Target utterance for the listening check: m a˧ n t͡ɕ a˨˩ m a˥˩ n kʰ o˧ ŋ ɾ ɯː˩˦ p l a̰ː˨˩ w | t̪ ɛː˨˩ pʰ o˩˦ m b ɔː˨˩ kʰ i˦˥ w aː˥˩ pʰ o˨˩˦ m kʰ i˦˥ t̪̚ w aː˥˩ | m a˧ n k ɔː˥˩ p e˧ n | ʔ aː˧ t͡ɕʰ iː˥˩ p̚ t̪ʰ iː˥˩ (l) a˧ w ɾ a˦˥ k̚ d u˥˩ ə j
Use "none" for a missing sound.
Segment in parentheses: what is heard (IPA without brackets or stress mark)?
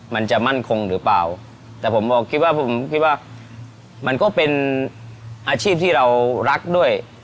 ɾ